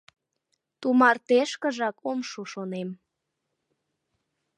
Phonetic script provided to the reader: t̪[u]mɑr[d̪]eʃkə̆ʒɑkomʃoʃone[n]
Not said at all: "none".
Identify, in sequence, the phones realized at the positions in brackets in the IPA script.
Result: u, t̪, m

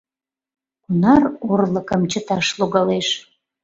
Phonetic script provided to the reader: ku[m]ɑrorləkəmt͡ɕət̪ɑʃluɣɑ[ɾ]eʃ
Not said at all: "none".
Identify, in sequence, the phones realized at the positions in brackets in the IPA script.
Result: n, l

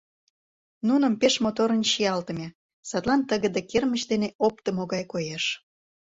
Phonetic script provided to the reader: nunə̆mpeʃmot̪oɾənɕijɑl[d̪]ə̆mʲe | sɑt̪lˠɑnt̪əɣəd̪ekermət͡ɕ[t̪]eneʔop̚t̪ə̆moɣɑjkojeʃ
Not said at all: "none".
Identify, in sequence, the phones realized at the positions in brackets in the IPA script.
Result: t̪, d̪

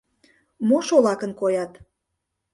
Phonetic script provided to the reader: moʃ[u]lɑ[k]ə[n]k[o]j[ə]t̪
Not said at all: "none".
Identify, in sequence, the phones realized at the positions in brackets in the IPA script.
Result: o, k, n, o, ɑ

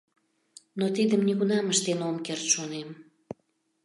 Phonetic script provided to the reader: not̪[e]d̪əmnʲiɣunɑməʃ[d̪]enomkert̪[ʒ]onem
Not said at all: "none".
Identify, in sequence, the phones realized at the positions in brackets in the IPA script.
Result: i, t̪, ʃ

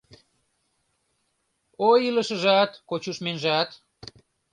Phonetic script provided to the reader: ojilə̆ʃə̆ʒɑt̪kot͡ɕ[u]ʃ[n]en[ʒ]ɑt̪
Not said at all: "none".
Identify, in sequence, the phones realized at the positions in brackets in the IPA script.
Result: u, m, ʒ

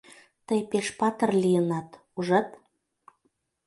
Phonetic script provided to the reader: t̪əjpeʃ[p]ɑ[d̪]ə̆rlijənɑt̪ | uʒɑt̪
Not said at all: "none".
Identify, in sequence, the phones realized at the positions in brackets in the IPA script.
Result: p, t̪

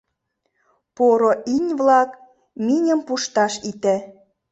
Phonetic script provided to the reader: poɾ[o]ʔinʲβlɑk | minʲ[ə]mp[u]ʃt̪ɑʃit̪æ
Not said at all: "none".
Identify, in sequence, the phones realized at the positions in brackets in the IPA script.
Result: o, ə, u

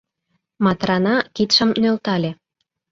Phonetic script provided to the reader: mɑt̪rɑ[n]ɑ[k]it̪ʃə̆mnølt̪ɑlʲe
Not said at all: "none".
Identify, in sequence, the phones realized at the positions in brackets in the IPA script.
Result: n, k

